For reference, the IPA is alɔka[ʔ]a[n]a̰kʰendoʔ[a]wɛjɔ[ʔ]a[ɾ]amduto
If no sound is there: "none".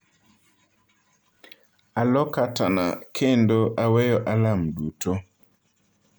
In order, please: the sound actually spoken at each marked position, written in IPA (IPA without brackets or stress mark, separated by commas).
t, n, a, ʔ, l